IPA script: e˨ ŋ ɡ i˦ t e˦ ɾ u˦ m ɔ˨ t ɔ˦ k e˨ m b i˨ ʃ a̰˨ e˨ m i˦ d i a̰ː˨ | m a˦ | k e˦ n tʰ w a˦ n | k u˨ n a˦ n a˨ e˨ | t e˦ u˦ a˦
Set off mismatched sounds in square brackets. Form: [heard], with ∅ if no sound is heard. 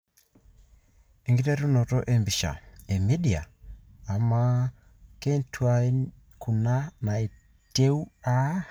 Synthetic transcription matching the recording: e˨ ŋ ɡ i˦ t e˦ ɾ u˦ [n] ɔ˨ t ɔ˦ [ʔ] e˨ m b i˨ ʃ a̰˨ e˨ m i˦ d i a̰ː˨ | m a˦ | k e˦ n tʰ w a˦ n | k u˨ n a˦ n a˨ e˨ | t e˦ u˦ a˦